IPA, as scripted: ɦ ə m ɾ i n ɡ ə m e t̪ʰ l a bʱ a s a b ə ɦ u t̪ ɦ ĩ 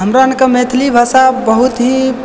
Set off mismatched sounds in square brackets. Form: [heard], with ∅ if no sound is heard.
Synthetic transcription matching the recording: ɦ ə m ɾ [a] n [k] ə m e t̪ʰ l [i] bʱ a s a b ə ɦ u t̪ ɦ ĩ